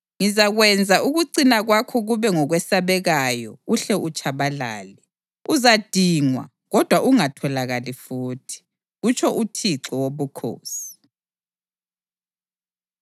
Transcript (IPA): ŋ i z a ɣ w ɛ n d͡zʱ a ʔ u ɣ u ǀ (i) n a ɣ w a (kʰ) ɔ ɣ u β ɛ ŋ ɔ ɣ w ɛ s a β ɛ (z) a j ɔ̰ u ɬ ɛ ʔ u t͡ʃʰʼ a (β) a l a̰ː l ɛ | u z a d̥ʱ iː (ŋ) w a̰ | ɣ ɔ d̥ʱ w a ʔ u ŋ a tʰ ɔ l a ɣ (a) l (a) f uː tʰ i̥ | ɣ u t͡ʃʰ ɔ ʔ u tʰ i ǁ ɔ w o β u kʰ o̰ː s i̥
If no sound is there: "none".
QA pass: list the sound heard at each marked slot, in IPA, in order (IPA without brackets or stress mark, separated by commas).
i, kʰ, ɣ, β, ŋ, a, i